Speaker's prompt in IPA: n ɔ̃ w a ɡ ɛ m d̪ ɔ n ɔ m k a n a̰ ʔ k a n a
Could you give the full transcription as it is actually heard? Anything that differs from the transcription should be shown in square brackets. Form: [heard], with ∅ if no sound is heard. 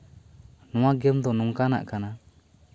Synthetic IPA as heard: n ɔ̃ w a ɡ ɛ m d̪ ɔ n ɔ [ŋ] k a n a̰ ʔ k a n a